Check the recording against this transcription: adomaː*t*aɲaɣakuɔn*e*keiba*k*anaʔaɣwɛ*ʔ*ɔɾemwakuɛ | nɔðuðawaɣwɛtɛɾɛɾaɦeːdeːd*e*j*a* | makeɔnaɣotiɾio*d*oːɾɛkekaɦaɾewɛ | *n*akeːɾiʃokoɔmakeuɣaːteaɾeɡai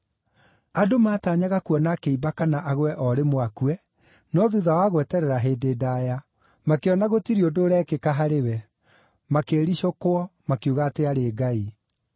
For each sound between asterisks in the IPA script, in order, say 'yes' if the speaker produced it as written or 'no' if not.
yes, no, yes, yes, no, yes, yes, no

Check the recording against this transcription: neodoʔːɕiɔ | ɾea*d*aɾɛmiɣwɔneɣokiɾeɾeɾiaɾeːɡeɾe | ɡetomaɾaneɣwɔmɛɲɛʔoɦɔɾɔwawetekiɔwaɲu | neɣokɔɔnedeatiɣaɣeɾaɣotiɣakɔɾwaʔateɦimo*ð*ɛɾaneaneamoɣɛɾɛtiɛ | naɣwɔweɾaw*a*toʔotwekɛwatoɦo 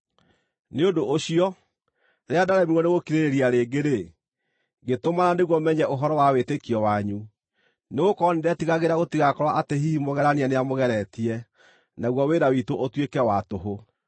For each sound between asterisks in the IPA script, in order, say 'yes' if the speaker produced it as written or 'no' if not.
yes, no, no

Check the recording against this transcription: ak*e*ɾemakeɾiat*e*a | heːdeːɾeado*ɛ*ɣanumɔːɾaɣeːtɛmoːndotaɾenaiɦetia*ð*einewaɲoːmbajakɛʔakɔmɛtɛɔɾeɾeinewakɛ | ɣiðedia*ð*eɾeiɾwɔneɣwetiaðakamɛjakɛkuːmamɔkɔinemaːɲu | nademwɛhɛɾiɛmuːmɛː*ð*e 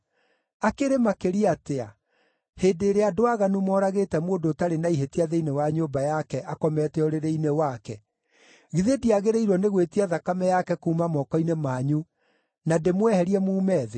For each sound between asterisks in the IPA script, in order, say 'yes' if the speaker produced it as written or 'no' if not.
yes, yes, no, yes, no, yes

